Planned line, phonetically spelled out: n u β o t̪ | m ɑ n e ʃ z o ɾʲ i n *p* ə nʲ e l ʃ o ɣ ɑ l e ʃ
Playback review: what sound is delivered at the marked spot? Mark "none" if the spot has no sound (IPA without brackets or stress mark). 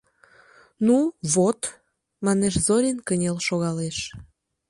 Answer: k